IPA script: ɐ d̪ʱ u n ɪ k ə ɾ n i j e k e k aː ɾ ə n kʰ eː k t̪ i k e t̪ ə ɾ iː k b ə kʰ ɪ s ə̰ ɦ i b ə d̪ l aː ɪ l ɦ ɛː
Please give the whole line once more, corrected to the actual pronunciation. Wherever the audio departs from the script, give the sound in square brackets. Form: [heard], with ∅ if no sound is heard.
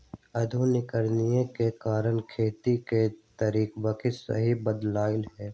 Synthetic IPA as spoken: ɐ d̪ʱ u n ɪ k ə ɾ n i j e k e k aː ɾ ə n kʰ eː [∅] t̪ i k e t̪ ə ɾ iː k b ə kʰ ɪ s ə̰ ɦ i b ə d̪ l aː ɪ l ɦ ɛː